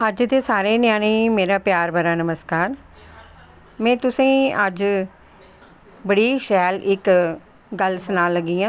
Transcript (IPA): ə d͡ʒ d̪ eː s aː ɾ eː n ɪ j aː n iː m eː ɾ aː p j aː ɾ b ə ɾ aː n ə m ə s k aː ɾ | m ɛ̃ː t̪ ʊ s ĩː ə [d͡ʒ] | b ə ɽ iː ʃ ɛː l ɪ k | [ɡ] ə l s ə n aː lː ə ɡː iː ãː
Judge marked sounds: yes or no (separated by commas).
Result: yes, yes